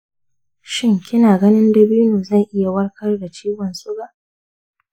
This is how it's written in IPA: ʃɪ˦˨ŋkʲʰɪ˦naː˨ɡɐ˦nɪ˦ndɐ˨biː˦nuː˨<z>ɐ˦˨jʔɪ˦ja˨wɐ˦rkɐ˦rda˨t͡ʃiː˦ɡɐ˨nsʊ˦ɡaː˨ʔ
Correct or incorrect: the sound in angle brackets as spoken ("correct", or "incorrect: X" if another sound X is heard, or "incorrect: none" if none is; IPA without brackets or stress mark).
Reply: correct